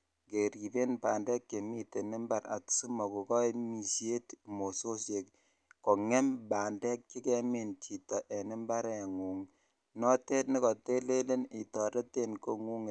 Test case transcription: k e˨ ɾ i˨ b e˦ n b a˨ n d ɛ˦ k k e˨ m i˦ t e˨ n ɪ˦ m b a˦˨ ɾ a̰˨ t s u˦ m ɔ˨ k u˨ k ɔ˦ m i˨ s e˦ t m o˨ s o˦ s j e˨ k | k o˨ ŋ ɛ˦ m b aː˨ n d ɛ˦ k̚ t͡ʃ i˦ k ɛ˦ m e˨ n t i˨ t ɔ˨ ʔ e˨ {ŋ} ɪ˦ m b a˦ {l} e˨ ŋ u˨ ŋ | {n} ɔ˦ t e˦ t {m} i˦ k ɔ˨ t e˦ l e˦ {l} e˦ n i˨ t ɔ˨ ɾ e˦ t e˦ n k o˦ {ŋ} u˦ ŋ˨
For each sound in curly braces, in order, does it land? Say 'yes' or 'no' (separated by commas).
no, no, yes, no, yes, yes